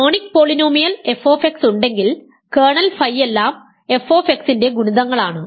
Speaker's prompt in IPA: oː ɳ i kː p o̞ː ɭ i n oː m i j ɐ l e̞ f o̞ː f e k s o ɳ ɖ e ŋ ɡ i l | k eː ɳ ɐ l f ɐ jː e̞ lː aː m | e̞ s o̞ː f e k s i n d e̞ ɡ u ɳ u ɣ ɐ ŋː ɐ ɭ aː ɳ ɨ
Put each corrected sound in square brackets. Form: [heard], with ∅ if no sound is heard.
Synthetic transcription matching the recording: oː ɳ i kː p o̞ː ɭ i n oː m i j ɐ l e̞ f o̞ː f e k s [u] ɳ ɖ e ŋ ɡ i l | k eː ɳ ɐ l f ɐ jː e̞ lː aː m | e̞ [f] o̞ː f e k s i n d e̞ ɡ u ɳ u [ð] ɐ ŋː ɐ ɭ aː ɳ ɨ